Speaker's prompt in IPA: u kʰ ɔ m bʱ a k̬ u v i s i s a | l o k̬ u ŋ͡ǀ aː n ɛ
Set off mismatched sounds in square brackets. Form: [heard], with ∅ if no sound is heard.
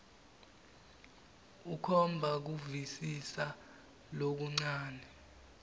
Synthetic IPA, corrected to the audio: u kʰ ɔ m bʱ a k̬ u v i s i s a | l o k̬ u ŋ͡ǀ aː n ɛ